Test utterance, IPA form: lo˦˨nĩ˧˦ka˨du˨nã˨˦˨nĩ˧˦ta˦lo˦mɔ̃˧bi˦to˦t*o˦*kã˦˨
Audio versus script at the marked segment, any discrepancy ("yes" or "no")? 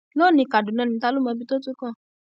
yes